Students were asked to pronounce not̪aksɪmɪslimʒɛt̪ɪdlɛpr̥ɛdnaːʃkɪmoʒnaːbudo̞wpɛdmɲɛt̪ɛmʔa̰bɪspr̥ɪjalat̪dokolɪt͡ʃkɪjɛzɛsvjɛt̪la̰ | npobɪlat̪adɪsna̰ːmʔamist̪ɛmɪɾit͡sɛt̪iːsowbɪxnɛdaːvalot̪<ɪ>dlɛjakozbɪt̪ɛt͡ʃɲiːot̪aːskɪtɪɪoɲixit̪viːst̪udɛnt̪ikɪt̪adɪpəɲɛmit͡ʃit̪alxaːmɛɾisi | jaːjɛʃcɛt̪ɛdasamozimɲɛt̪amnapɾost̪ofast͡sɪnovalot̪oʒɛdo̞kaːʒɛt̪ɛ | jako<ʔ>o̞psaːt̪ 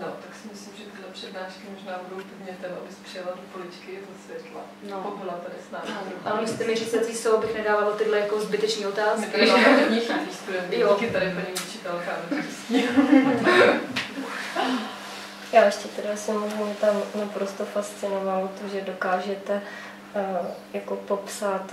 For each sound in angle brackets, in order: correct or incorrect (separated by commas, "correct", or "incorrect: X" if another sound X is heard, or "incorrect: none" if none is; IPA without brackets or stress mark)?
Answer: correct, incorrect: p